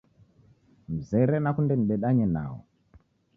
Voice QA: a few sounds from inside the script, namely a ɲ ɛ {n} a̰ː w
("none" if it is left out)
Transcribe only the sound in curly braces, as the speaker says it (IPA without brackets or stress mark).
n